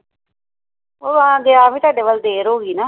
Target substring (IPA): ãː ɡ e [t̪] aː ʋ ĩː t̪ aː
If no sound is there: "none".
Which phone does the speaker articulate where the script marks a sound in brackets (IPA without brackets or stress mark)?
none